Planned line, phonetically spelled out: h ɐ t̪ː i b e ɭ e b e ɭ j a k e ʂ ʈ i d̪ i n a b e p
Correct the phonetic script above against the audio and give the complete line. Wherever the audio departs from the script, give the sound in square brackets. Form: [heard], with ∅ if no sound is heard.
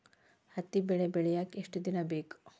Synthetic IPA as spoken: h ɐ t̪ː i b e ɭ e b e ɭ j a k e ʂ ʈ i d̪ i n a b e [k]